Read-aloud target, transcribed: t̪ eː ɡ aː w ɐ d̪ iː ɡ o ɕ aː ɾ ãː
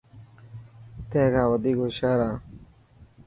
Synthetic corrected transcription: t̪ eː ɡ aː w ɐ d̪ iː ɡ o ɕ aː ɾ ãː